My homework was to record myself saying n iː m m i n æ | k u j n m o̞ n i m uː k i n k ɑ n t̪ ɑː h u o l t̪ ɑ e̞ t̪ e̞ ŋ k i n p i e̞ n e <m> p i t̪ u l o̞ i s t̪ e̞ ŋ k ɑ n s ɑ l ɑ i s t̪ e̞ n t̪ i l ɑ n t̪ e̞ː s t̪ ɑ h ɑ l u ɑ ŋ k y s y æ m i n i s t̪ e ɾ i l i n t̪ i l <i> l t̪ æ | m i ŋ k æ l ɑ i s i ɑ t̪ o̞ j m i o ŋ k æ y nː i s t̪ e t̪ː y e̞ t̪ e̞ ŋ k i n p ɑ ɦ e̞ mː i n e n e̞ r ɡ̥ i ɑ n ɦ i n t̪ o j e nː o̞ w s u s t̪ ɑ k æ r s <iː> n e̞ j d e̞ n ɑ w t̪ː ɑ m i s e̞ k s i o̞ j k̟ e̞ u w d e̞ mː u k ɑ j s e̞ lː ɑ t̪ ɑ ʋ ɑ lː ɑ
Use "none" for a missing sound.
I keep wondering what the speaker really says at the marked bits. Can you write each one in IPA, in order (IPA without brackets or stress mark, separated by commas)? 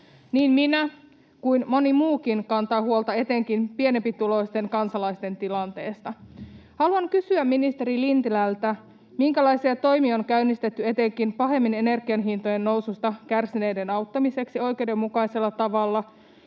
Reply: m, æ, i